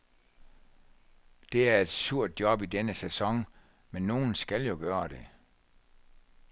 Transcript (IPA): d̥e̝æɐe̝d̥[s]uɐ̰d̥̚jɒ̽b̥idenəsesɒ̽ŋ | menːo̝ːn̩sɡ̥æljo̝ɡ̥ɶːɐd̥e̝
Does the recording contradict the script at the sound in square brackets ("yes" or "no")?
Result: no